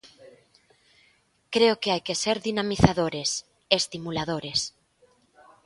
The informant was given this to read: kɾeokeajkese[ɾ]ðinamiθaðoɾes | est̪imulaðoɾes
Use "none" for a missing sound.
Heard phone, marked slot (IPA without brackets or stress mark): ɾ